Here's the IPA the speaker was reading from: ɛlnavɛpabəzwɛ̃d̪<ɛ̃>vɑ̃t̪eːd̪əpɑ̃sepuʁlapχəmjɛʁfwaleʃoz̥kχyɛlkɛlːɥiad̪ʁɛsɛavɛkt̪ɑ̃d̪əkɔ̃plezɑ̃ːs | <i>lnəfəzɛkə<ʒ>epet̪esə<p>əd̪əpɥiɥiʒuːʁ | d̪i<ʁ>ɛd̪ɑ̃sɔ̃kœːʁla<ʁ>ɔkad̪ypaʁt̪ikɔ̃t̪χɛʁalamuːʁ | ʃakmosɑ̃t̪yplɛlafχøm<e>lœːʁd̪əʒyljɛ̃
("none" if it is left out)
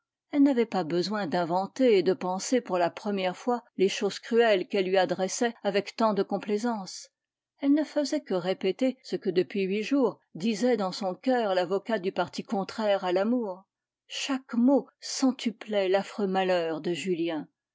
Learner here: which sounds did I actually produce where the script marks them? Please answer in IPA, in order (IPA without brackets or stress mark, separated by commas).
ɛ̃, ɛ, ʁ, k, z, v, a